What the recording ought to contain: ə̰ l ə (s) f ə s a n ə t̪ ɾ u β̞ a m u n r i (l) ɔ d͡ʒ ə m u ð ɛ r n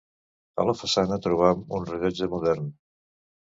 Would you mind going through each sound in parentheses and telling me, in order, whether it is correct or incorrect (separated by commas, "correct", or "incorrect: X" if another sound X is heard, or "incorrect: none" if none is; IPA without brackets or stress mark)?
incorrect: none, incorrect: ʎ